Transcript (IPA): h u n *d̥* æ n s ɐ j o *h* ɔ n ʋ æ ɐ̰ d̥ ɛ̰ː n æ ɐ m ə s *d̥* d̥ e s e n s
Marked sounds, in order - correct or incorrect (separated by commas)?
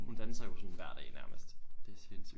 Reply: correct, incorrect, correct